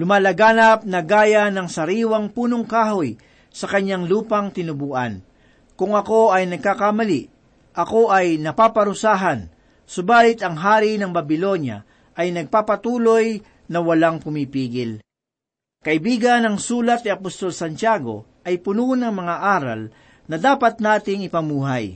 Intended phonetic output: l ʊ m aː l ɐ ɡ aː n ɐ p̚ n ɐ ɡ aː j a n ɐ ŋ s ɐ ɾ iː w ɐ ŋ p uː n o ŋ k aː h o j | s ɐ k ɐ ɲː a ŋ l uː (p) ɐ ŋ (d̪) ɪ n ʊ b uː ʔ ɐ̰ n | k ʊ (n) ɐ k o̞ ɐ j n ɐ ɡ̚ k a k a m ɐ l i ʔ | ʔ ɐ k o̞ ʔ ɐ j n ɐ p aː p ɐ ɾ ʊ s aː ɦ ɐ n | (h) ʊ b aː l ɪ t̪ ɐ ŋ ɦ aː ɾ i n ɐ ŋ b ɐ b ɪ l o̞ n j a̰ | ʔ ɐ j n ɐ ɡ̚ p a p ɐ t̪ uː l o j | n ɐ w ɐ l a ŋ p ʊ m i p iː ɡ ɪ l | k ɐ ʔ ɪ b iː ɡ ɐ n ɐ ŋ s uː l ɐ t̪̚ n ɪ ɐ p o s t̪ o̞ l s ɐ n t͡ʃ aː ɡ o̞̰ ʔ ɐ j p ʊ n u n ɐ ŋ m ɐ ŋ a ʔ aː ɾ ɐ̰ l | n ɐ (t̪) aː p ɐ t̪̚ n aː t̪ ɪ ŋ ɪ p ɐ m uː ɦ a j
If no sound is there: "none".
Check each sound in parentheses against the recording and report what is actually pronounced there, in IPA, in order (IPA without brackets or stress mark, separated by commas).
p, t̪, ŋ, s, d̪